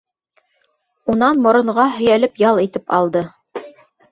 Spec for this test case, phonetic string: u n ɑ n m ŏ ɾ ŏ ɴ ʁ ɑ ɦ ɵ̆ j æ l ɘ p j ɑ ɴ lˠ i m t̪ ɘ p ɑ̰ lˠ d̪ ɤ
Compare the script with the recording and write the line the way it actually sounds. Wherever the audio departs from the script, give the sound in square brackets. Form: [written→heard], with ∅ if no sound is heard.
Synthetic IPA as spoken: u n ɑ n m ŏ ɾ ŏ ɴ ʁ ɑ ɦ ɵ̆ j æ l ɘ p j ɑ [ɴ→∅] lˠ i [m→∅] t̪ ɘ p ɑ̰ lˠ d̪ ɤ

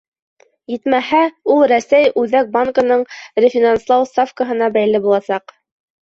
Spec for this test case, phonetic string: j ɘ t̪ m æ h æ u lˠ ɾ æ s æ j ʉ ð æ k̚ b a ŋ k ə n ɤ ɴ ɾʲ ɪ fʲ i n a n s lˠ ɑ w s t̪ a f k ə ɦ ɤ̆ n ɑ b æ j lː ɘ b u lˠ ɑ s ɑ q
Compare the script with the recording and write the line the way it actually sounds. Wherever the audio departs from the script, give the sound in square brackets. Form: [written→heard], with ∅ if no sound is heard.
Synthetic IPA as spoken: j ɘ t̪ m æ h æ u lˠ ɾ æ s æ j ʉ ð æ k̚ b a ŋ k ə n ɤ ɴ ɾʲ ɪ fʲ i n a n s lˠ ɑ w s t̪ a f k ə ɦ ɤ̆ n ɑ b æ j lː ɘ b u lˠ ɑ s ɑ q

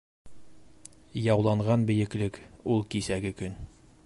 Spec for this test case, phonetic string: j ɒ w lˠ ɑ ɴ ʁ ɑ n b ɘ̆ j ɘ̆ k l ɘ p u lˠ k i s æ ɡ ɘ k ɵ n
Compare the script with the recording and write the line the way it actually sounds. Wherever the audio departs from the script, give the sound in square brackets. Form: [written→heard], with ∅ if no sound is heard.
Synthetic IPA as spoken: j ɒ w lˠ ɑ ɴ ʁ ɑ n b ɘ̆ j ɘ̆ k l ɘ [p→k] u lˠ k i s æ ɡ ɘ k ɵ n

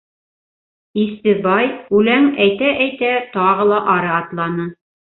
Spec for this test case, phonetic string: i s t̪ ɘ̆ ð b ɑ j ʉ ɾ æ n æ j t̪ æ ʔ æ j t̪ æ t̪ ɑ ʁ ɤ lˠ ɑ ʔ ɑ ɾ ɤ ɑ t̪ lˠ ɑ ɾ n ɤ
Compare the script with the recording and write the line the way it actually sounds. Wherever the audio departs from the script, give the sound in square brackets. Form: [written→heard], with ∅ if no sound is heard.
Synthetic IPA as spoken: i s t̪ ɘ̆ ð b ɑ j ʉ [ɾ→l] æ [n→ŋ] æ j t̪ æ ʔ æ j t̪ æ t̪ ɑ ʁ ɤ lˠ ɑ ʔ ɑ ɾ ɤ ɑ t̪ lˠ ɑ [ɾ→∅] n ɤ

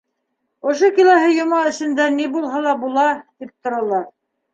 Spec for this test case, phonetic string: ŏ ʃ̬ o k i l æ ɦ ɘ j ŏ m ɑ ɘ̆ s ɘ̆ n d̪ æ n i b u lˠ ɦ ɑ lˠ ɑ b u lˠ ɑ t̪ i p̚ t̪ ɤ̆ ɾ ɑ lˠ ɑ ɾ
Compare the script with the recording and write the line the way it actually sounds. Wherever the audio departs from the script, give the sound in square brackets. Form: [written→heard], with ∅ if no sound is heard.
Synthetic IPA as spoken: ŏ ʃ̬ o k i l æ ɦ ɘ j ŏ m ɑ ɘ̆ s ɘ̆ n d̪ æ n i b u lˠ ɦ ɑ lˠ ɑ b u lˠ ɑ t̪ i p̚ t̪ [ɤ̆→ŏ] ɾ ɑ lˠ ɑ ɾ

